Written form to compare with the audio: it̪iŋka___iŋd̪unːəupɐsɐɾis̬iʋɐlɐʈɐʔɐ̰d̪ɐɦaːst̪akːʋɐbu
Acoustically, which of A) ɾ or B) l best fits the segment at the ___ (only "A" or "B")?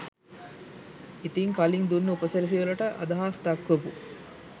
B